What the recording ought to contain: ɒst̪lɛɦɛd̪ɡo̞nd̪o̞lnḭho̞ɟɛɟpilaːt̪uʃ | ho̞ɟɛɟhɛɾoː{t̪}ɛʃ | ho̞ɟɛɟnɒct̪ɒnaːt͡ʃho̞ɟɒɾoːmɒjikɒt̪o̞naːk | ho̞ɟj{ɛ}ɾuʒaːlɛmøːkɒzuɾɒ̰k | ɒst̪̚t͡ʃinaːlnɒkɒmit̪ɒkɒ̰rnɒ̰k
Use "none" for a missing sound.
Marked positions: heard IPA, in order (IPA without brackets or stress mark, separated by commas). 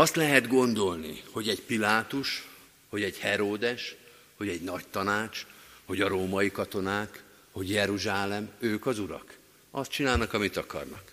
d̪, ɛ